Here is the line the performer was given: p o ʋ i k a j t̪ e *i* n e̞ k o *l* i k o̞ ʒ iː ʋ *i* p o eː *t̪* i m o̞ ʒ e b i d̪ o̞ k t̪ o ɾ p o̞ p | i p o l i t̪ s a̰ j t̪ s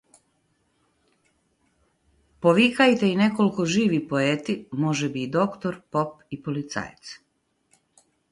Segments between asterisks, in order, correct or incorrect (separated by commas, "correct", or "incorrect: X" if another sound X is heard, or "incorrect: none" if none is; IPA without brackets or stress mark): correct, correct, correct, correct